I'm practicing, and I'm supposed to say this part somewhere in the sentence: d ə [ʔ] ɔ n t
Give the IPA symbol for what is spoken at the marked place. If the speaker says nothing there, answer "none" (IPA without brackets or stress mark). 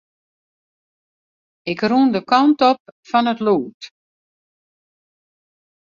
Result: k